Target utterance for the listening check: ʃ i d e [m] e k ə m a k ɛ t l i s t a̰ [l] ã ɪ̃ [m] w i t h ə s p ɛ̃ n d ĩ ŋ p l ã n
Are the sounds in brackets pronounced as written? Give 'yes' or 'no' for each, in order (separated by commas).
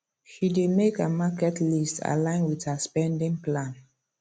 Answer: yes, yes, no